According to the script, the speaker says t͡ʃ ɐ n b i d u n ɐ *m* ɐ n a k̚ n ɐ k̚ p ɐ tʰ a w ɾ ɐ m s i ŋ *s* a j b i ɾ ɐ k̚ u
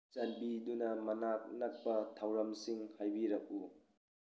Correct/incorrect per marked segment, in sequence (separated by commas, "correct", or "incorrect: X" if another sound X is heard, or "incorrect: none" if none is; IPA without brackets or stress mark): correct, incorrect: h